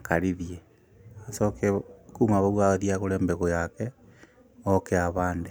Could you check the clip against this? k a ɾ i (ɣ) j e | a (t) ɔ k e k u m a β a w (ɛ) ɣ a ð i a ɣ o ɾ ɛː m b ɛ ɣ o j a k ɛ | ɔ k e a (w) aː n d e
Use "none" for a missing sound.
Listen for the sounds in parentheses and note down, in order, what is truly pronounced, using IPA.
ð, s, a, β

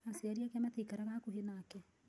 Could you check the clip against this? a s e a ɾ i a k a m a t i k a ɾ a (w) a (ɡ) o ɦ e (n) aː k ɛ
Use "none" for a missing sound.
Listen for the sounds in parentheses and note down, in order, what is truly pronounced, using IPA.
ɣ, k, n

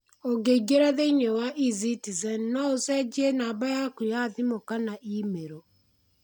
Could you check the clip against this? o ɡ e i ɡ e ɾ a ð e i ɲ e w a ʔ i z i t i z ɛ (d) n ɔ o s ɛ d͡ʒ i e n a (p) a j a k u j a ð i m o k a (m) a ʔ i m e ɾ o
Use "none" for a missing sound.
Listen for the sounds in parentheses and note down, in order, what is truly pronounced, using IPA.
n, b, n

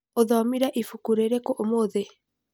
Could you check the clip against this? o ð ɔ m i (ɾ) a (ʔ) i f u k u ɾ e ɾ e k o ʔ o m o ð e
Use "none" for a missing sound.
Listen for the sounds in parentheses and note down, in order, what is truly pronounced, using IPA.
ɾ, ʔ

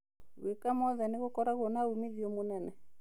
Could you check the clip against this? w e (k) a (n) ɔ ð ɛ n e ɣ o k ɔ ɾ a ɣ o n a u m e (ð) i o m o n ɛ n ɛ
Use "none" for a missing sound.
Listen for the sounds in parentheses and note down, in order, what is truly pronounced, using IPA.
k, m, ð

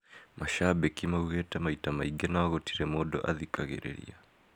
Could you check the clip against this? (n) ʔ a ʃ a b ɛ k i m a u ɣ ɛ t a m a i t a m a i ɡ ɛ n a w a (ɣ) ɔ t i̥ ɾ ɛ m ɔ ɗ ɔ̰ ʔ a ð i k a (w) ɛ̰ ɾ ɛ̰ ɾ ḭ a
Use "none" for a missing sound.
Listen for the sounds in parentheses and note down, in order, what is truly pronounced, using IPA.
m, ɣ, ɣ

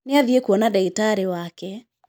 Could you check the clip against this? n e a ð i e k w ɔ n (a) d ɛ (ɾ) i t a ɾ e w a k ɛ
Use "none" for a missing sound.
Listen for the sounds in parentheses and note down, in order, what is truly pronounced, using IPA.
a, none

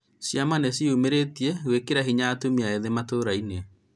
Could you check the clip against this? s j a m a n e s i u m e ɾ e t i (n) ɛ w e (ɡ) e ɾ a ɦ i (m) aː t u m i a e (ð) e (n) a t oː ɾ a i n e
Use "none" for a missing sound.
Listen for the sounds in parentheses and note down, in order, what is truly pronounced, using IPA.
none, k, ɲ, ð, m

